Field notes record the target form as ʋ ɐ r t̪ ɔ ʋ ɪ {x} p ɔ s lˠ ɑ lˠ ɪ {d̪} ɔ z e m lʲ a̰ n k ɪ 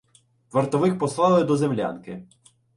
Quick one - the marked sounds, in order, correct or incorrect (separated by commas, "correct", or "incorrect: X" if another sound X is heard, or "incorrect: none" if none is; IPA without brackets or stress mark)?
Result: correct, correct